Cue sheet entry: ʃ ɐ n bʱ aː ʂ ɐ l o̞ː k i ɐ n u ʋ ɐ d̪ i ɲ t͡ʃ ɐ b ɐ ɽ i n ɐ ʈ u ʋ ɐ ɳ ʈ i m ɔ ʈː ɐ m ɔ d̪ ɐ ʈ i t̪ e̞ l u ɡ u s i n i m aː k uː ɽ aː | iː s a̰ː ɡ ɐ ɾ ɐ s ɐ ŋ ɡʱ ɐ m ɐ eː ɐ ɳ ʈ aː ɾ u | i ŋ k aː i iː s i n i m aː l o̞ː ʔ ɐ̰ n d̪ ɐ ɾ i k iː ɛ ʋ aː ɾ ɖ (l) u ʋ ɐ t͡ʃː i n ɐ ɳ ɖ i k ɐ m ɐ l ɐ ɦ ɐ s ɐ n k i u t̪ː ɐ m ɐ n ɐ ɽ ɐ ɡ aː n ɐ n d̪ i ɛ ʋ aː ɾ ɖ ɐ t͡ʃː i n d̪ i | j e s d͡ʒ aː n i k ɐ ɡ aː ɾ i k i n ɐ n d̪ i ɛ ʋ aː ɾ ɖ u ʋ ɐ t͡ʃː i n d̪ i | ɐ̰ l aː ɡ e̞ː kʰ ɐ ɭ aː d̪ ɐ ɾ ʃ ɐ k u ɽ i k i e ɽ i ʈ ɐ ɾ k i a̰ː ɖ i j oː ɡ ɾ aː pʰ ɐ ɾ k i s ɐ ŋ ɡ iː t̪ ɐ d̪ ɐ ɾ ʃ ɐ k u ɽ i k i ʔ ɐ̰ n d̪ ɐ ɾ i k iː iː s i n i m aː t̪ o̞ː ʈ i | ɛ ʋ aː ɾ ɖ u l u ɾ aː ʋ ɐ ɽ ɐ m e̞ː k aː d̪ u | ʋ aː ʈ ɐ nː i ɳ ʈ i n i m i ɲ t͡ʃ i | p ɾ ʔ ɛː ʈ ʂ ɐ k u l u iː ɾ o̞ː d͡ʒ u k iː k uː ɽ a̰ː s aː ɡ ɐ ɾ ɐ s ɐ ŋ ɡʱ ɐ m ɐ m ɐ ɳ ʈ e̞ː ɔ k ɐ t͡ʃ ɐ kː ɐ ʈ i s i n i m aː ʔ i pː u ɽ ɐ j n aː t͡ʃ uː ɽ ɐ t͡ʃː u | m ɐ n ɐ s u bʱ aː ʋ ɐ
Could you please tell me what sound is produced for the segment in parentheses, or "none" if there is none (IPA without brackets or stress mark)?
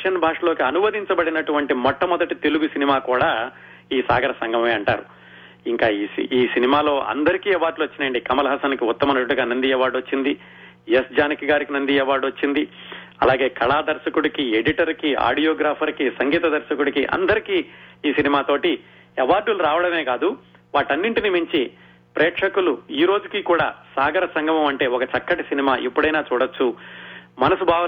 l